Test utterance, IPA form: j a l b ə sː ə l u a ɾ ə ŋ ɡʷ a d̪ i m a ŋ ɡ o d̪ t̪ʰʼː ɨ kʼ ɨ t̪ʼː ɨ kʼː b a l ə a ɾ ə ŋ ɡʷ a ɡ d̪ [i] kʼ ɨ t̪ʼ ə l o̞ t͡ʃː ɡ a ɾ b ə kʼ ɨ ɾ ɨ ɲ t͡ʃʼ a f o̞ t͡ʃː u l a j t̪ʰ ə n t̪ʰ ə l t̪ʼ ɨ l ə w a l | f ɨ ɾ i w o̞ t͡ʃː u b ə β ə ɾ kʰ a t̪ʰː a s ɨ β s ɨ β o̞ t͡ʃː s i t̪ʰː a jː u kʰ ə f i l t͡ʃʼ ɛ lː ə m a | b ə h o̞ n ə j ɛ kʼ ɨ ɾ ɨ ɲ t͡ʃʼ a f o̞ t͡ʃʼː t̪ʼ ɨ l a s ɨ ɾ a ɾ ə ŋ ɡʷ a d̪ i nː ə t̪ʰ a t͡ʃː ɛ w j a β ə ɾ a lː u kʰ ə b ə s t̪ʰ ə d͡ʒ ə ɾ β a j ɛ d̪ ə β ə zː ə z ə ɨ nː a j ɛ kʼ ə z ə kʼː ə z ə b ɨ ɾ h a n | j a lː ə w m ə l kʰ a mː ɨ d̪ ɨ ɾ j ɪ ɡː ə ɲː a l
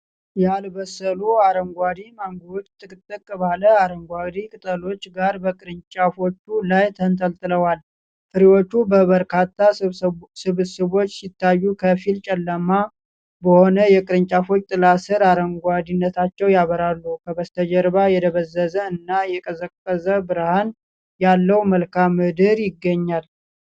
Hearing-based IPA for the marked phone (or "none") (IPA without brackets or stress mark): i